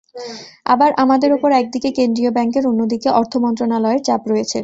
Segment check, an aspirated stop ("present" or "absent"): present